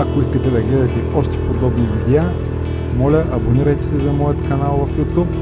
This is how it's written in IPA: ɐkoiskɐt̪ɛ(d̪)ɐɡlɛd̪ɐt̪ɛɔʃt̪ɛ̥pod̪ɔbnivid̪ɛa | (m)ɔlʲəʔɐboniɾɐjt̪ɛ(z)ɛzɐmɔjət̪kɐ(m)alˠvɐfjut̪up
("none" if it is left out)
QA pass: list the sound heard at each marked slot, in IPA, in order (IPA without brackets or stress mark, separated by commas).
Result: d̪, m, s, n